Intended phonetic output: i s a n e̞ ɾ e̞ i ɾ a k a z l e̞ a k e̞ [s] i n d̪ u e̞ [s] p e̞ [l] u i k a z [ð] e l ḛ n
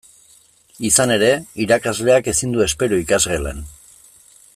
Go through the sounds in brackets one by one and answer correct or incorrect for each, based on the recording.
correct, correct, incorrect: ɾ, incorrect: ɣ

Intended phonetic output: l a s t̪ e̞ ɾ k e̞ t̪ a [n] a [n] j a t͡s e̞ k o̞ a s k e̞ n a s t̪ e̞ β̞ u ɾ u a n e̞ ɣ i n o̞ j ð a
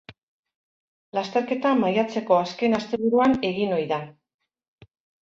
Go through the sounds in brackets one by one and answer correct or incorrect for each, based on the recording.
incorrect: m, incorrect: none

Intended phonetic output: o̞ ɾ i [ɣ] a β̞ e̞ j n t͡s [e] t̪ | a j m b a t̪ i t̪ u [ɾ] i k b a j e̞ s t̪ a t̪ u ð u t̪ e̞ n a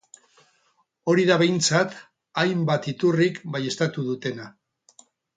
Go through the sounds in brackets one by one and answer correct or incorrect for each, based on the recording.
incorrect: ð, incorrect: a, incorrect: r

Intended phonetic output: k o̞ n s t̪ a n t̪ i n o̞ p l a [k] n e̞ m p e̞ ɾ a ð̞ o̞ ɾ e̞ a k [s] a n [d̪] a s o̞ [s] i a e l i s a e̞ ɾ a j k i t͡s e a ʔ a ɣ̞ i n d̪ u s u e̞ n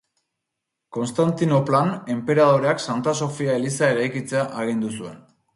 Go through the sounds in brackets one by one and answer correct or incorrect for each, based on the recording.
incorrect: none, correct, incorrect: t̪, incorrect: f

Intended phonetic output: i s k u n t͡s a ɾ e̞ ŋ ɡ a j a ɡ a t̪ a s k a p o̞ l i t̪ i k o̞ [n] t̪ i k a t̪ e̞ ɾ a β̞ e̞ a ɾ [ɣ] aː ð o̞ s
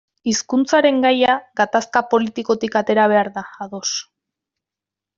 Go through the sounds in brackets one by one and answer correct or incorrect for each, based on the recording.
incorrect: none, incorrect: ð

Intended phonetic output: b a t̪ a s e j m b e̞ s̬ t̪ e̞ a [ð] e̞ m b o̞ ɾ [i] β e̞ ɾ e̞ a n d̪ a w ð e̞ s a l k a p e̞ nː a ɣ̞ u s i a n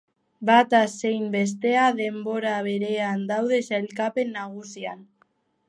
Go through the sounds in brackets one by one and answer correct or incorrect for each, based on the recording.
correct, incorrect: a

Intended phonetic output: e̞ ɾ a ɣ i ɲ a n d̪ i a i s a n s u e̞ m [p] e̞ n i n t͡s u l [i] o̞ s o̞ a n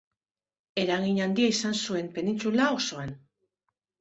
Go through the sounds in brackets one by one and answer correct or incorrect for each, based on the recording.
correct, incorrect: a

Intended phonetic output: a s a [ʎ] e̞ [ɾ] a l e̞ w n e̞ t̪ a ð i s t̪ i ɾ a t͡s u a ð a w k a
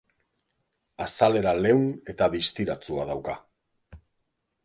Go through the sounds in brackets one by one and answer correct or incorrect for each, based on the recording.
incorrect: l, correct

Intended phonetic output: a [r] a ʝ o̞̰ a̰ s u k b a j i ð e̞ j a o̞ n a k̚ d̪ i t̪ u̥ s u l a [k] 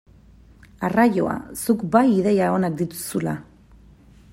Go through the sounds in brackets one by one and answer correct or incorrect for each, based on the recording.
correct, incorrect: none

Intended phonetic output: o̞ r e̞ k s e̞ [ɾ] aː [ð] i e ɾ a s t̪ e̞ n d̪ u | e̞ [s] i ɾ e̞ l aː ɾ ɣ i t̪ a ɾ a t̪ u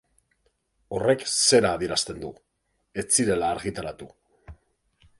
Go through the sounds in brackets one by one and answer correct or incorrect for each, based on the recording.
correct, correct, incorrect: t͡s

